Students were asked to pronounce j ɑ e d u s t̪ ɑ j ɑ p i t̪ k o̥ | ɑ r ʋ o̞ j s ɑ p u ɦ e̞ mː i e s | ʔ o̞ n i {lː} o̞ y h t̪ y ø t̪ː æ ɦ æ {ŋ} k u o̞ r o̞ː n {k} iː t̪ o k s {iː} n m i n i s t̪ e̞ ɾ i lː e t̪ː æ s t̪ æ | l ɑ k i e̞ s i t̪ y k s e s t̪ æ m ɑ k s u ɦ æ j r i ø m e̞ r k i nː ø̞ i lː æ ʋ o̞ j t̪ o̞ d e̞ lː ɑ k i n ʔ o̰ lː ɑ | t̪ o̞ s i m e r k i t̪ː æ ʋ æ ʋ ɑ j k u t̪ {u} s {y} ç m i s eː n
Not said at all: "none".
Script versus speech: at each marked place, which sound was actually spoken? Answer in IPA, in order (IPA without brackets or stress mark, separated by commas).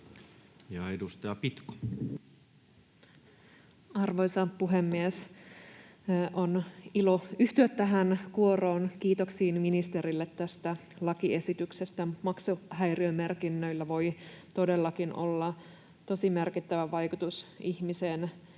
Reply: l, n, k, iː, u, i